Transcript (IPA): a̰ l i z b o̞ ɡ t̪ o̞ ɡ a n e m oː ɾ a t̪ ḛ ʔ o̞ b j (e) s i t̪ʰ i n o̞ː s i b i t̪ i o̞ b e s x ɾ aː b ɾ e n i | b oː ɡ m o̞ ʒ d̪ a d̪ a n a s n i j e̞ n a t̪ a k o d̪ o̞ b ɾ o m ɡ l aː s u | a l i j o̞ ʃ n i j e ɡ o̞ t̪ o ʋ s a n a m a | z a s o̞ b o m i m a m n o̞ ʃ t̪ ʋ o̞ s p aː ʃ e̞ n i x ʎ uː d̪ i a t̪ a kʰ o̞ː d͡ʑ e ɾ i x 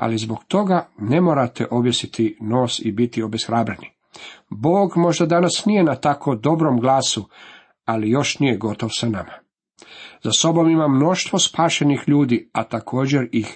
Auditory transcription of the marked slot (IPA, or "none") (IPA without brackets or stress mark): e